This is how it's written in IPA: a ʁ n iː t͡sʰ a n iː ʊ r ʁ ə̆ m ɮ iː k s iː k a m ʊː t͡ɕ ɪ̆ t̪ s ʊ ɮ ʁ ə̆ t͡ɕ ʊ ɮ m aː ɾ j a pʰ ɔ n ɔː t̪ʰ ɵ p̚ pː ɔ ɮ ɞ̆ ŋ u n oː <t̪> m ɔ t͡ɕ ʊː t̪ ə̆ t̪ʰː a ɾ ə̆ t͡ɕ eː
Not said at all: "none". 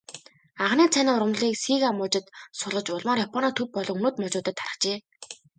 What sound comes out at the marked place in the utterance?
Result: t̪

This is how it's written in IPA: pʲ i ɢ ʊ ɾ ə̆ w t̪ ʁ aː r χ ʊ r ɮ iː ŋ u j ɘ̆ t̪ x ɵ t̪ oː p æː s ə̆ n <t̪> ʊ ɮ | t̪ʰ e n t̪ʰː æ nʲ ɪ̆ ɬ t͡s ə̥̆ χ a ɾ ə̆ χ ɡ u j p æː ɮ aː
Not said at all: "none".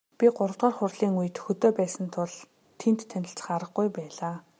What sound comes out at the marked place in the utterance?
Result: t̪ʰ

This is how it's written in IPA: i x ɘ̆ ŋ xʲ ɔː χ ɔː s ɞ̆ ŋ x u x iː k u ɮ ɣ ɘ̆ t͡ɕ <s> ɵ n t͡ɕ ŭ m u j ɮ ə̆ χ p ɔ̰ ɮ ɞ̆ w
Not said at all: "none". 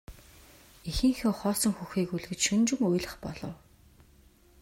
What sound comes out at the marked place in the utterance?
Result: ʃ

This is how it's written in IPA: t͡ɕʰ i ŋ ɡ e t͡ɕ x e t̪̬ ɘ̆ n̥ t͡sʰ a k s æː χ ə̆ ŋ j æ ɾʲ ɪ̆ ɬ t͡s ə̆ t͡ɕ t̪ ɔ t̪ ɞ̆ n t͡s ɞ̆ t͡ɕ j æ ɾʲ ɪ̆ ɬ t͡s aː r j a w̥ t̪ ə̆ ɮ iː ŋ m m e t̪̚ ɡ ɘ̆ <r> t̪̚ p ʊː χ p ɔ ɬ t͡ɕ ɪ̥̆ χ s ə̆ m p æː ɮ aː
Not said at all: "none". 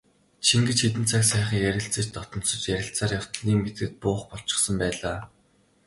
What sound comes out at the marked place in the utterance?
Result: none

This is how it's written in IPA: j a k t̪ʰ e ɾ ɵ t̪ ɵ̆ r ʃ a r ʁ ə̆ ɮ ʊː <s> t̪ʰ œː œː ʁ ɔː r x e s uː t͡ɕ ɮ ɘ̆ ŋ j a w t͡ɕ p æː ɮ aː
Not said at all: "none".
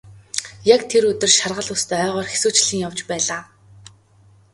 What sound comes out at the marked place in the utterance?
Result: s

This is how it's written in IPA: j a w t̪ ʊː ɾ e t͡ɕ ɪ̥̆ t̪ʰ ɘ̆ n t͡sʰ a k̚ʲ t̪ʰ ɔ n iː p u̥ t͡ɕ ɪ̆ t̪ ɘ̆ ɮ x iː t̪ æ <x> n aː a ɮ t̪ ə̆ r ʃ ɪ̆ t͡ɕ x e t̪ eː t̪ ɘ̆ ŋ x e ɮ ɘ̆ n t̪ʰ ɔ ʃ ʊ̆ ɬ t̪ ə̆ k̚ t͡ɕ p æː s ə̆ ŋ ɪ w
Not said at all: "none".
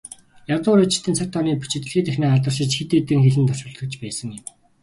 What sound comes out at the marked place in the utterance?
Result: x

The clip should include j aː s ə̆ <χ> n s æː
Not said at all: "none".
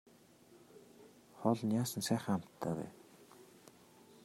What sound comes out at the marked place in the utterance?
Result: none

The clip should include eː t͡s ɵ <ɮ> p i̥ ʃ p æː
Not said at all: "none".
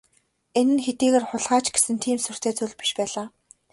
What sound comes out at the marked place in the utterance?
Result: ɮ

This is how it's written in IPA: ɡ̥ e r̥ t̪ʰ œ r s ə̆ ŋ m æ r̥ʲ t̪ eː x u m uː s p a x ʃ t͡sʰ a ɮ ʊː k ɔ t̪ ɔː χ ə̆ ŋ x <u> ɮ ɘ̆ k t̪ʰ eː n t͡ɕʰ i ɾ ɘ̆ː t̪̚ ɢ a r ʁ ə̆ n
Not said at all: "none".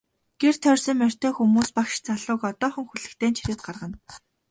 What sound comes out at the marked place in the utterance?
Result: u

